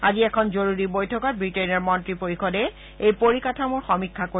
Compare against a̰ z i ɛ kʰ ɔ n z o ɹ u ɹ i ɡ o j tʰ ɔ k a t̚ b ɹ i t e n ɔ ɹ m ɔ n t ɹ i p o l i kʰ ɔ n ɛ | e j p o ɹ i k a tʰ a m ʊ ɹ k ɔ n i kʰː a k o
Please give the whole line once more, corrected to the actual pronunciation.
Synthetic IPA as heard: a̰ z i ɛ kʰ ɔ n z o ɹ u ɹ i b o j tʰ ɔ k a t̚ b ɹ i t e n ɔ ɹ m ɔ n t ɹ i p o ɹ i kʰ ɔ d ɛ | e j p o ɹ i k a tʰ a m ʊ ɹ x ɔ m i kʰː a k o